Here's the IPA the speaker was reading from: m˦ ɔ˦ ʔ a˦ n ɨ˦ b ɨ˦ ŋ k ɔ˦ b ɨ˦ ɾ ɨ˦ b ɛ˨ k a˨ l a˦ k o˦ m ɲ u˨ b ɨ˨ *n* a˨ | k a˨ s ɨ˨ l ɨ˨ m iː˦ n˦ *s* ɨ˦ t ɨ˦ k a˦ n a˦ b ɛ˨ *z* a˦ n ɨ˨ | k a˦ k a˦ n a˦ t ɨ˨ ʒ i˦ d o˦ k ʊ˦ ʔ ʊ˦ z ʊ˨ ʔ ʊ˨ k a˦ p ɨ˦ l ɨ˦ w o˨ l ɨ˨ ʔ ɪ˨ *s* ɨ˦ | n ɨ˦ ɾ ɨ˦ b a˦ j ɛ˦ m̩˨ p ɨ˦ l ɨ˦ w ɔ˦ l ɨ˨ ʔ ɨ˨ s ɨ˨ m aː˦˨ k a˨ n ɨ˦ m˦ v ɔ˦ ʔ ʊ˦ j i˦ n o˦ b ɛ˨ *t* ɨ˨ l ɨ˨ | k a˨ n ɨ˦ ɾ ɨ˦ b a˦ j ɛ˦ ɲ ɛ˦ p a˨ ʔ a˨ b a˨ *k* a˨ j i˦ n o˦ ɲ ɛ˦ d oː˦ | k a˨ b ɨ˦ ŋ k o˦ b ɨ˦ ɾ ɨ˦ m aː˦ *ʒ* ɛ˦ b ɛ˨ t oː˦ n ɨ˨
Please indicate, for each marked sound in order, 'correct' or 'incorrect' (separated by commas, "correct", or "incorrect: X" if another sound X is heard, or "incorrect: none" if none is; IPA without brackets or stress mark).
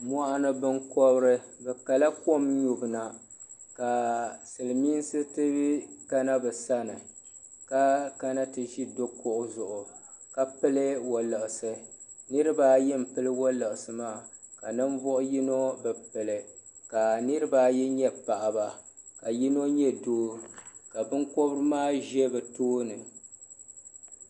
correct, correct, incorrect: s, correct, incorrect: p, correct, correct